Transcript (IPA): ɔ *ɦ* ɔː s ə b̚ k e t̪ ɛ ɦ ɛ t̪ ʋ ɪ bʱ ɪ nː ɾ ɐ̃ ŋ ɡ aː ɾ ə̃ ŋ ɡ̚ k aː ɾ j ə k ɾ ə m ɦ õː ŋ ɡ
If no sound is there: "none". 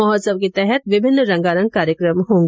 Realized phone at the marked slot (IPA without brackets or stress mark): ɦ